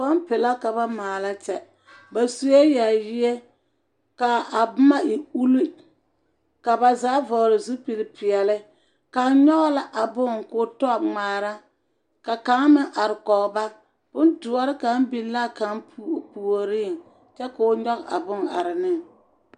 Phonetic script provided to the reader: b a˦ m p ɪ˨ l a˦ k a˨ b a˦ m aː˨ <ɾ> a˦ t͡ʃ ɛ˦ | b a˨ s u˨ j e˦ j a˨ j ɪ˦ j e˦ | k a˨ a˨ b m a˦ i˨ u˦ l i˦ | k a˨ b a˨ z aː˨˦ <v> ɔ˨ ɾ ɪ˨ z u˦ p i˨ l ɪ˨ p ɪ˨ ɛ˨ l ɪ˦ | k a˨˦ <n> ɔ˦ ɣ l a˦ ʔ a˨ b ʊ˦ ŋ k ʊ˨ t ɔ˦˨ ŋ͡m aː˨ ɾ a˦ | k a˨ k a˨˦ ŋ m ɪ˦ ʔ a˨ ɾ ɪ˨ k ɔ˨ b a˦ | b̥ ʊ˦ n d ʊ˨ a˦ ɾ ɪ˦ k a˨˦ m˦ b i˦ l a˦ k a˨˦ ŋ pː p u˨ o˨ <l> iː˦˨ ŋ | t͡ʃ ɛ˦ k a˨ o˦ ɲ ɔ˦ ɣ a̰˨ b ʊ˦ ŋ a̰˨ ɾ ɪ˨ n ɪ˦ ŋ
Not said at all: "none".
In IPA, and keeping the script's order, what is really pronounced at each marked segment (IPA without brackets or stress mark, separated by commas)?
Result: l, v, ɲ, ɾ